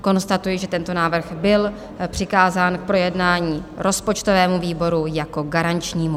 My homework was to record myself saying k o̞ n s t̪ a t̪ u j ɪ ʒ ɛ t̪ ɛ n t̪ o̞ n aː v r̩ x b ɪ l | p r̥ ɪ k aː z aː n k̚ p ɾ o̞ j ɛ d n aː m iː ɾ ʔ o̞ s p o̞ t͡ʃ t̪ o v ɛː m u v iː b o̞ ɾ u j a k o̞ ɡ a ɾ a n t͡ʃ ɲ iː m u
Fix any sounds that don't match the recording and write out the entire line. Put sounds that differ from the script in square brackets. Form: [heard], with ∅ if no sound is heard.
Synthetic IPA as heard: k o̞ n s t̪ a t̪ u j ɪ ʒ ɛ t̪ ɛ n t̪ o̞ n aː v r̩ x b ɪ l | p r̥ ɪ k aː z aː n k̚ p ɾ o̞ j ɛ d n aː [ɲ] iː ɾ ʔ o̞ s p o̞ t͡ʃ t̪ o v ɛː m u v iː b o̞ ɾ u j a k o̞ ɡ a ɾ a n t͡ʃ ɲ iː m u